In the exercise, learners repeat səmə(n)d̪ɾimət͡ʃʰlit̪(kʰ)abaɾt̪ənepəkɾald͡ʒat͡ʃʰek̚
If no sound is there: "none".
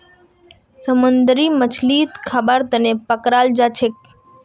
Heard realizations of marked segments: n, kʰ

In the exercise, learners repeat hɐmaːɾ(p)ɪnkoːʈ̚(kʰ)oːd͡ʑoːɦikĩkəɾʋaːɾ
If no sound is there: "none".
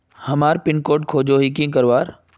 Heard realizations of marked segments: p, kʰ

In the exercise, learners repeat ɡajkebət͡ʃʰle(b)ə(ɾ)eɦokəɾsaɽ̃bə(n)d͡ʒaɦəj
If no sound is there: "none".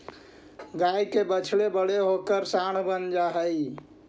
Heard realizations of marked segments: b, ɽ, n

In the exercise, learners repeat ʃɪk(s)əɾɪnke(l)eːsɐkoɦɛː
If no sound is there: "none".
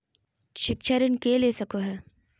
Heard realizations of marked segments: ʃ, l

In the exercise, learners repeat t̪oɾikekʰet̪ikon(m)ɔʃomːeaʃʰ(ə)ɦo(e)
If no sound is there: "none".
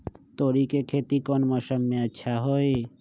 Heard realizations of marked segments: m, a, e

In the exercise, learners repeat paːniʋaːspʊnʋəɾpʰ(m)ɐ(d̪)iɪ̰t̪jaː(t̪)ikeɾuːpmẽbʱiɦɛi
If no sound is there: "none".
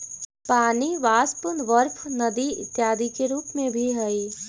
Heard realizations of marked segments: n, d̪, d̪

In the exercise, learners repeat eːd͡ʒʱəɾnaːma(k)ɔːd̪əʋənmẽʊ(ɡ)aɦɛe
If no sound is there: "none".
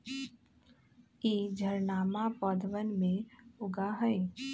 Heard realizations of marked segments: p, ɡ

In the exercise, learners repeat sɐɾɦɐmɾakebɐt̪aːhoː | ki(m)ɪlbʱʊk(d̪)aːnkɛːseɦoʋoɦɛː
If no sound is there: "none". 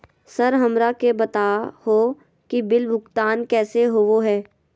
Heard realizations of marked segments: b, t̪

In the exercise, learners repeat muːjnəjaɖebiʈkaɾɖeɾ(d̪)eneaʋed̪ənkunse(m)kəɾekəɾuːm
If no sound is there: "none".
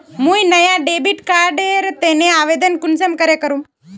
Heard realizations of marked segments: t̪, m

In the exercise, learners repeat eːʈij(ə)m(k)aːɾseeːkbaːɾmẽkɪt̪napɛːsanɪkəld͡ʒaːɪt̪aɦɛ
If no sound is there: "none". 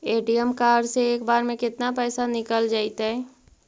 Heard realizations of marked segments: ə, k

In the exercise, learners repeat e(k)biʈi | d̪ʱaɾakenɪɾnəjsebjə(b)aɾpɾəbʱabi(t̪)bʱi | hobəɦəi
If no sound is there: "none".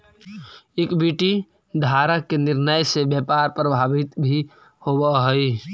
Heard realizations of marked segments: k, p, t̪

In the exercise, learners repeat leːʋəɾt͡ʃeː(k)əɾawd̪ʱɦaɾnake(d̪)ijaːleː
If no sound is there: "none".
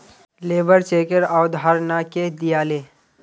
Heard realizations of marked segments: k, d̪

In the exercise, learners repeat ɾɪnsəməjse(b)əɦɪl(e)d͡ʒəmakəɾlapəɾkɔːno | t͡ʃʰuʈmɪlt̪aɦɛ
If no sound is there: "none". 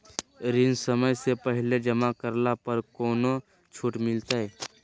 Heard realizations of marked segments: p, e

